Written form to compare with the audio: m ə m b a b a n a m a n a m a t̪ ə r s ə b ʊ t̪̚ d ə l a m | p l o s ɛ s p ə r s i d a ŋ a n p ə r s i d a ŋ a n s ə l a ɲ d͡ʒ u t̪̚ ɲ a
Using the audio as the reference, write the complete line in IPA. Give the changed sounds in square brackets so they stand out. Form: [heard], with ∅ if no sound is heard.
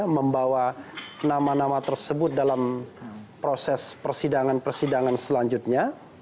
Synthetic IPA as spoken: m ə m b a [w] a n a m a n a m a t̪ ə r s ə b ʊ t̪̚ d [a] l a m | p [ɾ] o s ɛ s p ə r s i d a ŋ a n p ə r s i d a ŋ a n s ə l a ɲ d͡ʒ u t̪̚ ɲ a